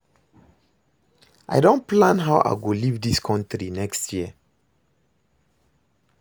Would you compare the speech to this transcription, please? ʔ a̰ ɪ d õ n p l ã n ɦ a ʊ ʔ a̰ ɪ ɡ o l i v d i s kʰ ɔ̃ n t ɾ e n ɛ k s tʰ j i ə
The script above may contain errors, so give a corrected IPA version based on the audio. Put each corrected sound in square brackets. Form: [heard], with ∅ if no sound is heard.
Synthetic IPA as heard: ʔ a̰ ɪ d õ n p l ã n ɦ a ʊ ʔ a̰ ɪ ɡ o l i v d i s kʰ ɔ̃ n t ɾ [i] n ɛ k s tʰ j i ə